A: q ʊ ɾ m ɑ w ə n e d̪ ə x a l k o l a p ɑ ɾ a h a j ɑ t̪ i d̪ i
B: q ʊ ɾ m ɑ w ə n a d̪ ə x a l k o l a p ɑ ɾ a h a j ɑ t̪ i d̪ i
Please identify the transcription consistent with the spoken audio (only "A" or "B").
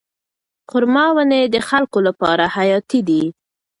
A